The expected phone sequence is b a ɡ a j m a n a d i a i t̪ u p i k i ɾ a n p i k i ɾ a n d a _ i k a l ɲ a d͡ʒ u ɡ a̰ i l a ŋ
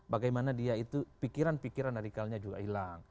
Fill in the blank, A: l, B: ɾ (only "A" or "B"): B